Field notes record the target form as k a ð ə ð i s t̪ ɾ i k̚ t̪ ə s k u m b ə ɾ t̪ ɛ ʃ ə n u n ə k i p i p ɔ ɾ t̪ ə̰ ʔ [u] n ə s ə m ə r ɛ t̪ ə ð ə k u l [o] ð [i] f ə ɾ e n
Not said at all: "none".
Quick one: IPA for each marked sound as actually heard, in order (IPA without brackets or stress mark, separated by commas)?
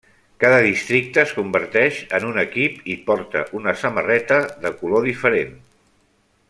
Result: u, o, i